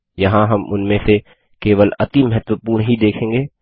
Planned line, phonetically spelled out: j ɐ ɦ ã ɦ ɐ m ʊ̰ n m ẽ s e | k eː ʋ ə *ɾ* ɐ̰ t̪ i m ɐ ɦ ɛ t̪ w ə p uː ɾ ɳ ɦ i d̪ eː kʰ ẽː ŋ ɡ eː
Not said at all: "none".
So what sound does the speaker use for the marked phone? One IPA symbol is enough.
l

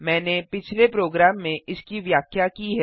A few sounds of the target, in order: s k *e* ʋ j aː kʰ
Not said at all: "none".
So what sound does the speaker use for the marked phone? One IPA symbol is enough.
i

